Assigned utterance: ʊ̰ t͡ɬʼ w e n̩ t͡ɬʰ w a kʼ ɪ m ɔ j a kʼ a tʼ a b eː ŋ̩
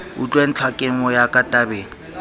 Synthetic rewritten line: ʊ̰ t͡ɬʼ w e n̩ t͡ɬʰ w a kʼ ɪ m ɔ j a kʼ a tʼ a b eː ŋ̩